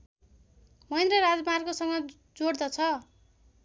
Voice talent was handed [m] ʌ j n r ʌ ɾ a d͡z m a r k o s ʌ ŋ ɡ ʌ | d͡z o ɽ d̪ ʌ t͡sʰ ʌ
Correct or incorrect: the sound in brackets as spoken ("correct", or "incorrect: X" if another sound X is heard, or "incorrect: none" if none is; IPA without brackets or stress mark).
correct